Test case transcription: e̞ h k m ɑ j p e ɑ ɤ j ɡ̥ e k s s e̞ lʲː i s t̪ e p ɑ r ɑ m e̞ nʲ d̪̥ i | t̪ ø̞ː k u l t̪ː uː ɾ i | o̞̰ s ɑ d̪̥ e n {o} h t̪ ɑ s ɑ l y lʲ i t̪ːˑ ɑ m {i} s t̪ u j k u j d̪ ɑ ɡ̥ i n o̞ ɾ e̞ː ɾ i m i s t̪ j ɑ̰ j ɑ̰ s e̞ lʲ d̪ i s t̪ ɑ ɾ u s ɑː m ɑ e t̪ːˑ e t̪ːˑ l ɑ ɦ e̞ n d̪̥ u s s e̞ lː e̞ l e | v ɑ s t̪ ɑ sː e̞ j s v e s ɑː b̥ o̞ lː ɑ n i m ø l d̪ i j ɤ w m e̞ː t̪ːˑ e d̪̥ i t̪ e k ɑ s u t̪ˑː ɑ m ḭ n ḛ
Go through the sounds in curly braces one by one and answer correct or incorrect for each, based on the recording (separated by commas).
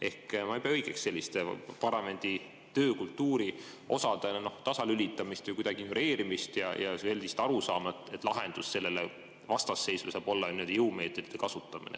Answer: correct, correct